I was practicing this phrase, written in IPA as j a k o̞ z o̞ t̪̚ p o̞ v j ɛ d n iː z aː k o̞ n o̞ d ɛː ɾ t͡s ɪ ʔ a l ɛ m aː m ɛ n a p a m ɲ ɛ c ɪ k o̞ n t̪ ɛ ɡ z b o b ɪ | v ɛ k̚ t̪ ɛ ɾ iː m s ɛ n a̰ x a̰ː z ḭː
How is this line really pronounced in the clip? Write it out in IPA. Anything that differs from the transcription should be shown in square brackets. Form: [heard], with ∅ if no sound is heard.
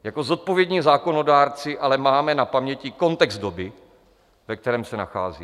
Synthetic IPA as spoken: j a k o̞ z o̞ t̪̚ p o̞ v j ɛ d [ɲ] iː z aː k o̞ n o̞ d [aː] ɾ t͡s ɪ ʔ a l ɛ m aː m ɛ n a p a m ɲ ɛ c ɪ k o̞ n t̪ ɛ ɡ z [d] o b ɪ | v ɛ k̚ t̪ ɛ ɾ [ɛː] m s ɛ n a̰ x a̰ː z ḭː